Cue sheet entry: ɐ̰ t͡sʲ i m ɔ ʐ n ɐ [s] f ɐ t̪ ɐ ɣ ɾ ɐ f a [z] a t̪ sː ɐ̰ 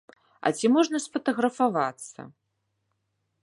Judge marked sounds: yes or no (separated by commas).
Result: yes, no